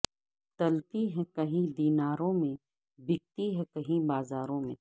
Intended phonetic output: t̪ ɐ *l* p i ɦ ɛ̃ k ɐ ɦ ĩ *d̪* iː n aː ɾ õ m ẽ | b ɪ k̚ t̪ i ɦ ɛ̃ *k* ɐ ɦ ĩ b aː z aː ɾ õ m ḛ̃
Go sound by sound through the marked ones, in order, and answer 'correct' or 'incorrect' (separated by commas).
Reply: correct, correct, correct